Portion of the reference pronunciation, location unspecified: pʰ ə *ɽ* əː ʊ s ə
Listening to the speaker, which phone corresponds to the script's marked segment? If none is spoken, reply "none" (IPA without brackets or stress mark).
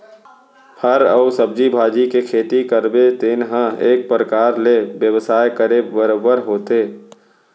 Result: ɾ